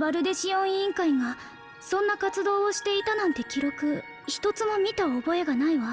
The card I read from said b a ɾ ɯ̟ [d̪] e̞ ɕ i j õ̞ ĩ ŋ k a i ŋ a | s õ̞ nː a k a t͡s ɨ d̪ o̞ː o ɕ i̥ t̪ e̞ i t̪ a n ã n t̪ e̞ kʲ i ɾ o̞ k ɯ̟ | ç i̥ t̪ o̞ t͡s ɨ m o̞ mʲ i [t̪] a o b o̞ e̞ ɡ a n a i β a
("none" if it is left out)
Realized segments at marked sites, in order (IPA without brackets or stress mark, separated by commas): d̪, t̪